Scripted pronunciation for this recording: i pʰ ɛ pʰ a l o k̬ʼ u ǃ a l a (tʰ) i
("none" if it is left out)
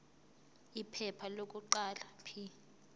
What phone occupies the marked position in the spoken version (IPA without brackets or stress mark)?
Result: pʰ